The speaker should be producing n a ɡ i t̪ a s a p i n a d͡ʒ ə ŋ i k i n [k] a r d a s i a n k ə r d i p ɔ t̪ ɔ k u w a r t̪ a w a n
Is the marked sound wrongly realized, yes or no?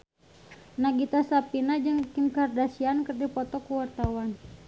no